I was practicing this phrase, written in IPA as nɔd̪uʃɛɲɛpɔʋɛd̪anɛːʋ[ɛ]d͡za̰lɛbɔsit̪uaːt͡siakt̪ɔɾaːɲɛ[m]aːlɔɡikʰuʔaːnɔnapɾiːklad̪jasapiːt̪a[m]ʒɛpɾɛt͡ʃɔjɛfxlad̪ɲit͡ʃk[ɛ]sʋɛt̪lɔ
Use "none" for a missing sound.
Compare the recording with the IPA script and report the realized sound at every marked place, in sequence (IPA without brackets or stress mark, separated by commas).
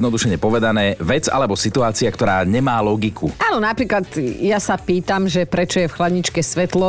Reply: ɛ, m, m, ɛ